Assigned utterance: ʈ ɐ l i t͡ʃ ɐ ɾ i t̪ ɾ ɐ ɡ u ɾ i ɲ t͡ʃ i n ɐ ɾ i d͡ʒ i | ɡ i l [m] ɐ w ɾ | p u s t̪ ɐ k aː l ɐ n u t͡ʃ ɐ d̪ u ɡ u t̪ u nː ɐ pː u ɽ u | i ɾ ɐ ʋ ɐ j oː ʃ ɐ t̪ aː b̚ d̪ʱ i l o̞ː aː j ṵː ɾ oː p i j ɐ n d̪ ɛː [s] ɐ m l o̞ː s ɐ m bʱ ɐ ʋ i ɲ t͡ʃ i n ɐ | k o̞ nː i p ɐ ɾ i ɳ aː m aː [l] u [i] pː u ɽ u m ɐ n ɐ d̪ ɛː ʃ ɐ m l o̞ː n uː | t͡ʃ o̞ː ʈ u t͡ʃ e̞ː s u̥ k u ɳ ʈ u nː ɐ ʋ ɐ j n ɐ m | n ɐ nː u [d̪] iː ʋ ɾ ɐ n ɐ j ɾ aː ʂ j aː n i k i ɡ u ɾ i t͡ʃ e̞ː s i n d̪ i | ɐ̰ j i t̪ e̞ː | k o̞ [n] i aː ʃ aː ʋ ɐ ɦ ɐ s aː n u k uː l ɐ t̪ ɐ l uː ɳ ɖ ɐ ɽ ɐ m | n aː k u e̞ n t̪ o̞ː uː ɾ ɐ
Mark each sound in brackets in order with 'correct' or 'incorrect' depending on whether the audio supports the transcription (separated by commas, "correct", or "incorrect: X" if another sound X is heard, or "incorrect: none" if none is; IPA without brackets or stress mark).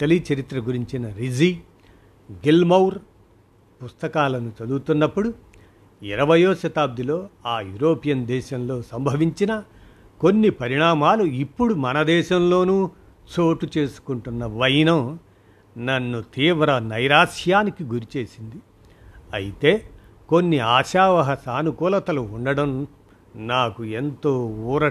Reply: correct, incorrect: ʃ, correct, correct, incorrect: t̪, incorrect: nː